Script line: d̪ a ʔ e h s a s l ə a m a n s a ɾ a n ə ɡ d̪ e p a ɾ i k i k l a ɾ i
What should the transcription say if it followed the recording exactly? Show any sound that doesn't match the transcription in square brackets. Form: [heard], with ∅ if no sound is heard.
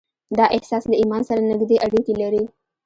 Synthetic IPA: d̪ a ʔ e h s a s l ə [i] m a n s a ɾ a n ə ɡ d̪ e [ʔ] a [ɽ] i k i [∅] l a ɾ i